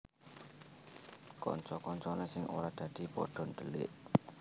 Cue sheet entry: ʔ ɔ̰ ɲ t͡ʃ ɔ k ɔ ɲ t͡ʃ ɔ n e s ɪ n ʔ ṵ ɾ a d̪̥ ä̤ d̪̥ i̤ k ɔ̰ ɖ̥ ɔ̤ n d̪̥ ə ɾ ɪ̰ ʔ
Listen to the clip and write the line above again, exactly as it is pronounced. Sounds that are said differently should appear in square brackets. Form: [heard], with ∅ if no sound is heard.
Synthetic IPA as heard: [k] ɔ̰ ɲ t͡ʃ ɔ k ɔ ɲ t͡ʃ ɔ n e s ɪ [ŋ] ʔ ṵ ɾ a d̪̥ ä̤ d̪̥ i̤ [p] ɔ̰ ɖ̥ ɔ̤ n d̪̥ ə [l] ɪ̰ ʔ